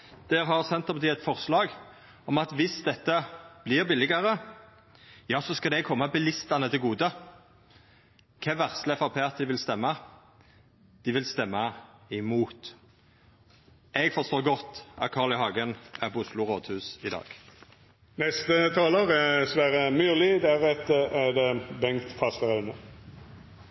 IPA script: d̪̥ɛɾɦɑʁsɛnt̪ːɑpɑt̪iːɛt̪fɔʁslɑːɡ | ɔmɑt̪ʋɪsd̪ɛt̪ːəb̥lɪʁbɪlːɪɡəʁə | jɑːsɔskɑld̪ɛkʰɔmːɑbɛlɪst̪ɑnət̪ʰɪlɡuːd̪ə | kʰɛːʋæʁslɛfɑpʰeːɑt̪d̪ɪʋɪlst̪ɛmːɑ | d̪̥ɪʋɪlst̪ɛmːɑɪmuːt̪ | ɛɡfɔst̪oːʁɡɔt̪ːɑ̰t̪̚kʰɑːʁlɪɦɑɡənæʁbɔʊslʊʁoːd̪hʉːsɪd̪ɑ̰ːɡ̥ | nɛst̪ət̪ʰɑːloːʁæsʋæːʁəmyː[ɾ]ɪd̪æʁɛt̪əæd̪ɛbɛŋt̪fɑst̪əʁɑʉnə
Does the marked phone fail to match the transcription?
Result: yes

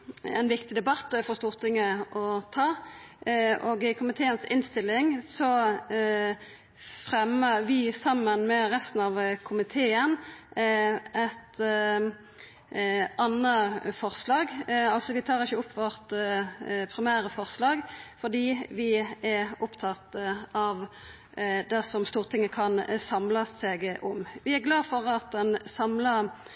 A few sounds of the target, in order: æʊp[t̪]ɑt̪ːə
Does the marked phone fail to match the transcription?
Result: yes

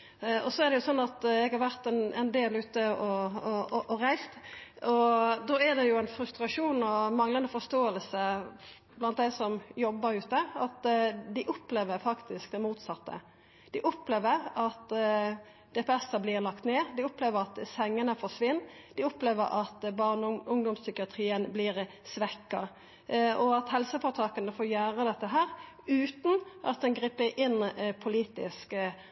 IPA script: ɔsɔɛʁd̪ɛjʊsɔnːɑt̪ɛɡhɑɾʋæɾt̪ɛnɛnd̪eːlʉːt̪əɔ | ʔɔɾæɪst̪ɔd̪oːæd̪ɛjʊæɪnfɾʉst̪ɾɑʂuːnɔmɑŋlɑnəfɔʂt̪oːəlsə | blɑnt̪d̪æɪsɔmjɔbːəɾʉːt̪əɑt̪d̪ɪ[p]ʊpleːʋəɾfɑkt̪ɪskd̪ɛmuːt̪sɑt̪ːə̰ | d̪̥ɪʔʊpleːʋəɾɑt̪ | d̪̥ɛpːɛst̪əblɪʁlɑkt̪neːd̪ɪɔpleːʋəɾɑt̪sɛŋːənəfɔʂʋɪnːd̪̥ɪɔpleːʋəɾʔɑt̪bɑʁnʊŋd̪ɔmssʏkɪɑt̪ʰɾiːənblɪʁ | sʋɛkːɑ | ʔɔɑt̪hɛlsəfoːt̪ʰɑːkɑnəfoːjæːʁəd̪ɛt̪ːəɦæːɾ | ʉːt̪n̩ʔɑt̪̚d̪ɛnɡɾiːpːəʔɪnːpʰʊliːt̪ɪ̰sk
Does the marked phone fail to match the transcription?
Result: yes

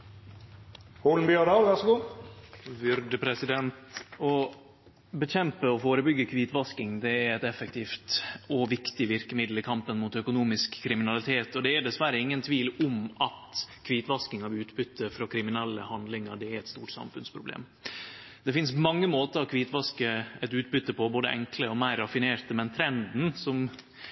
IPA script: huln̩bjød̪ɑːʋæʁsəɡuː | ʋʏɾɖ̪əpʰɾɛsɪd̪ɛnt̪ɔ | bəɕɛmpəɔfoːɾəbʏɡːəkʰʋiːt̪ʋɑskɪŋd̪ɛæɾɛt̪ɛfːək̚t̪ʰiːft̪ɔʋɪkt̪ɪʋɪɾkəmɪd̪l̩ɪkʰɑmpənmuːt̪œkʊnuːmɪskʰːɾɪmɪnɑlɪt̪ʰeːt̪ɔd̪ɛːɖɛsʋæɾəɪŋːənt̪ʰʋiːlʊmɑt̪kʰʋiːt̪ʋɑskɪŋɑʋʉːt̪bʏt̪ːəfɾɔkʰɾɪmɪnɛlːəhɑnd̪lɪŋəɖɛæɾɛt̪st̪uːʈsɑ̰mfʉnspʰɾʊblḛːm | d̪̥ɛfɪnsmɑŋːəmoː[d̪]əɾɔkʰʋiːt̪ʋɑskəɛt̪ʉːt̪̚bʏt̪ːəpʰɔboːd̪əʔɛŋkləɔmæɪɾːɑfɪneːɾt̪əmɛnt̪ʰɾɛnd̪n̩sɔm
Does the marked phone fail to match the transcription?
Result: yes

